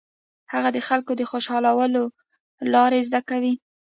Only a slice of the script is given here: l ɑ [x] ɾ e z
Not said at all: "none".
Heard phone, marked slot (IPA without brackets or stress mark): none